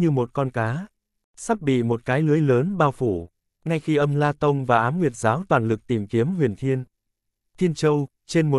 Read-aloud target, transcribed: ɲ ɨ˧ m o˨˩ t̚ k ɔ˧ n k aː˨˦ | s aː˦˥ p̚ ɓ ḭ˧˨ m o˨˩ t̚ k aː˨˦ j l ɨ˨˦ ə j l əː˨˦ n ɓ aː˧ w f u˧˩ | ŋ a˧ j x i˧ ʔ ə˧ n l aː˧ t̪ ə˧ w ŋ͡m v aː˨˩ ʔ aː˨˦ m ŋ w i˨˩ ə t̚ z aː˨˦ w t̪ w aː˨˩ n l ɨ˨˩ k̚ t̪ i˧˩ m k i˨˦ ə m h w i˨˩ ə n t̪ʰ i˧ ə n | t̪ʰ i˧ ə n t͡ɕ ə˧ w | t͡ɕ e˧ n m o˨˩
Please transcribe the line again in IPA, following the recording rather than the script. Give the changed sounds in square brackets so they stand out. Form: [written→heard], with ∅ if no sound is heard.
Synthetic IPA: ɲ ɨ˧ m o˨˩ t̚ k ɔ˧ n k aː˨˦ | s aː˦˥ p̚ ɓ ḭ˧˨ m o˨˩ t̚ k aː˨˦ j l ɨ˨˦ ə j l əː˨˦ n ɓ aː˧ w f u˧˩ | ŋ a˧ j x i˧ ʔ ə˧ [n→m] l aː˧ t̪ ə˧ w ŋ͡m v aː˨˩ ʔ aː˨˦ m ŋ w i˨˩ ə t̚ z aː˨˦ w t̪ w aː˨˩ n l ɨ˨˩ k̚ t̪ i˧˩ m k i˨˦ ə m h w i˨˩ ə n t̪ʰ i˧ ə n | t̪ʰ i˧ ə n t͡ɕ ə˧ w | t͡ɕ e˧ n m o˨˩

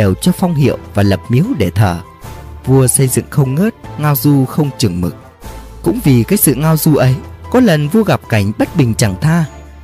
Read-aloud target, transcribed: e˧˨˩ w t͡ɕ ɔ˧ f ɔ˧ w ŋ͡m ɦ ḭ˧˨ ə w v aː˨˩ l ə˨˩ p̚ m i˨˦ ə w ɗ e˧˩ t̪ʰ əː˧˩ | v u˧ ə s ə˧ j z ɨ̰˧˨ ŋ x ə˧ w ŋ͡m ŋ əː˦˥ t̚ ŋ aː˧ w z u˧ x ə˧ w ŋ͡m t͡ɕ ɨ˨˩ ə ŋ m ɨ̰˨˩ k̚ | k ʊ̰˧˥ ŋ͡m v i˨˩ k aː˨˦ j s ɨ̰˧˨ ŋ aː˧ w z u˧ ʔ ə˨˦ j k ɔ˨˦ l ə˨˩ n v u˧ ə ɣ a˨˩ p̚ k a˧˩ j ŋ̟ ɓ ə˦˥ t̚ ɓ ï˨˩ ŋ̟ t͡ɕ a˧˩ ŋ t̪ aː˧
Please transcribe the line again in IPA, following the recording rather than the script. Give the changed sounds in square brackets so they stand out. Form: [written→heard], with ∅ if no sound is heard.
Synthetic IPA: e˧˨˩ w t͡ɕ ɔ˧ f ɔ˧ w ŋ͡m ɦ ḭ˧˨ ə w v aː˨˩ l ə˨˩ p̚ m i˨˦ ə w ɗ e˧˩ t̪ʰ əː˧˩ | v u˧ ə s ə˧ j z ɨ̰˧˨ ŋ x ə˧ w ŋ͡m ŋ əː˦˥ t̚ ŋ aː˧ w z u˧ x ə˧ w ŋ͡m t͡ɕ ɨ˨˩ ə ŋ m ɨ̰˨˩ k̚ | k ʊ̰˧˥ ŋ͡m v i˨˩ k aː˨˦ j s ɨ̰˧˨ ŋ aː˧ w z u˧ ʔ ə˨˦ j k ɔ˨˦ l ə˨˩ n v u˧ ə ɣ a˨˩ p̚ k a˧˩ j ŋ̟ ɓ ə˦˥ t̚ ɓ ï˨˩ ŋ̟ t͡ɕ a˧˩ ŋ [t̪→t̪ʰ] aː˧

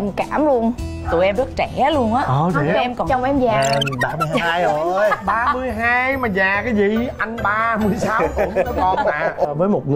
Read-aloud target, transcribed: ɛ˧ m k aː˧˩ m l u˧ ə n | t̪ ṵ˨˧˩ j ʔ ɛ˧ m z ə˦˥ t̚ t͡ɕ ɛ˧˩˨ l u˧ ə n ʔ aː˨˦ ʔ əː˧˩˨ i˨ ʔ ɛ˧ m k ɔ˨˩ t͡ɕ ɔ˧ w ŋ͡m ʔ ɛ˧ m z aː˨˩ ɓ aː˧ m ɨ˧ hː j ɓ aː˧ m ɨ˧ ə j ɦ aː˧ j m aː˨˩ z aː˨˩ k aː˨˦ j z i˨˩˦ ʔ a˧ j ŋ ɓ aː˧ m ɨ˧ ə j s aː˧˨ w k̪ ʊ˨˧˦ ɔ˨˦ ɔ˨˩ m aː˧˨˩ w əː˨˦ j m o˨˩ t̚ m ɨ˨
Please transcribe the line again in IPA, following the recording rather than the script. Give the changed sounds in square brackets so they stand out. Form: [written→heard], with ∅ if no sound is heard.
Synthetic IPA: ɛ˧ m k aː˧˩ m l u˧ ə n | t̪ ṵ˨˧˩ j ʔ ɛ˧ m z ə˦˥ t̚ t͡ɕ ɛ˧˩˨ l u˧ ə n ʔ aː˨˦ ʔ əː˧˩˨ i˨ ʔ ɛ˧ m k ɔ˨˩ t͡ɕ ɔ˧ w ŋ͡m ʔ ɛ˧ m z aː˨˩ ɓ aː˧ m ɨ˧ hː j ɓ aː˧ m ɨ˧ ə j ɦ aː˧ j m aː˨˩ z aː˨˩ k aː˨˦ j z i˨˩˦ ʔ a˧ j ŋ ɓ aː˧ m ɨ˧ ə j s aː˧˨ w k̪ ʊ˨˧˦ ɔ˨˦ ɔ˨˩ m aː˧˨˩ [w→v] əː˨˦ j m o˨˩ t̚ [m→ŋ] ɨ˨

